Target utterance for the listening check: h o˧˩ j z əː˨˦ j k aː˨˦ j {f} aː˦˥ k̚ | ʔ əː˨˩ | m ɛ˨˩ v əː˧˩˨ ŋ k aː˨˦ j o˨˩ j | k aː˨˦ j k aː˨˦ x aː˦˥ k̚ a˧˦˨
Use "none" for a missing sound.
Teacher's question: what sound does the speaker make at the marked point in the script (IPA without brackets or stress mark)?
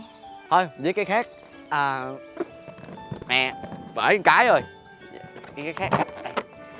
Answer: x